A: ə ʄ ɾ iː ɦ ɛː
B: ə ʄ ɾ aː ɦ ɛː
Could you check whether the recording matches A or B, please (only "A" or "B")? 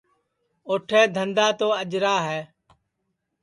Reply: B